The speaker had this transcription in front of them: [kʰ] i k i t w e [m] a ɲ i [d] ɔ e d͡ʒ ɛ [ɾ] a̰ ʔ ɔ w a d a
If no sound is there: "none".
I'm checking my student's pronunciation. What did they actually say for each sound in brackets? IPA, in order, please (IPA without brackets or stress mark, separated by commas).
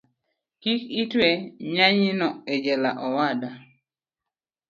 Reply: k, ɲ, n, l